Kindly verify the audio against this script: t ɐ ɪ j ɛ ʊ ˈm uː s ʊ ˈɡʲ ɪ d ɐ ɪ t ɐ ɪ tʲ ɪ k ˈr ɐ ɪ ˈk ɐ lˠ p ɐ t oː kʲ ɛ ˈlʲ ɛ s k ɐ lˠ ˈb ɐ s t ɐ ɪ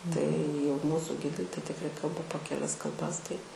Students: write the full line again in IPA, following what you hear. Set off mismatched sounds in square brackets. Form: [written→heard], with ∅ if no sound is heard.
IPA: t ɐ ɪ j ɛ ʊ ˈm uː s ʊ ˈɡʲ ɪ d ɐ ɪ t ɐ ɪ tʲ ɪ k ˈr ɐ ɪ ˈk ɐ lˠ [p→b] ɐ [t→p] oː kʲ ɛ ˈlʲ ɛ s k ɐ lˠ ˈb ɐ s t ɐ ɪ